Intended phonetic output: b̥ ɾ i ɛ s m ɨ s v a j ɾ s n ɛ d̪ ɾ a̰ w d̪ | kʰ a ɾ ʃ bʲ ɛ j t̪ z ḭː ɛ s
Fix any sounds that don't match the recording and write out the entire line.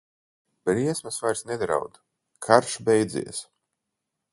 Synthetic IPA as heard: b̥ ɾ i ɛ s m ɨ s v a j ɾ s n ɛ d̪ ɾ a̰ w d̪ | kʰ a ɾ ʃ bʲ ɛ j d̪ z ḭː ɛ s